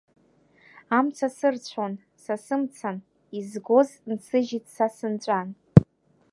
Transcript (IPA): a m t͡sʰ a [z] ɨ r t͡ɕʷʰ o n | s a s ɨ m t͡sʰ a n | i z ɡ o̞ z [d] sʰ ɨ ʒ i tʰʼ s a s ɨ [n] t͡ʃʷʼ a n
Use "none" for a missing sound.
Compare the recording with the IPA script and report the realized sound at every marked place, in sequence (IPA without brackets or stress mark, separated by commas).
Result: s, n, n